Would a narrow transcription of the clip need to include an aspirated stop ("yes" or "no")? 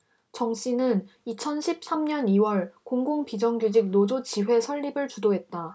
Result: yes